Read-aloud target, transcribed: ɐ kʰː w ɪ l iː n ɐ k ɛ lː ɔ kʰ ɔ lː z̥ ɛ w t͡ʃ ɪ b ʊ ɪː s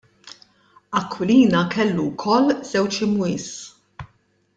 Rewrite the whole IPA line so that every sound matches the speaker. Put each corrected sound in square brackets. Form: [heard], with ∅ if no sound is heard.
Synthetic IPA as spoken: ɐ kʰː w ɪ l iː n ɐ k ɛ lː [u] kʰ ɔ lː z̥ ɛ w t͡ʃ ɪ [m] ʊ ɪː s